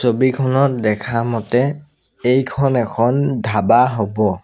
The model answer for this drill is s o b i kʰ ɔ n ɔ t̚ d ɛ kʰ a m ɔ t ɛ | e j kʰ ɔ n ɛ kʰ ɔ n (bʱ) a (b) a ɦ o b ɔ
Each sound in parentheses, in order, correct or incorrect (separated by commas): incorrect, correct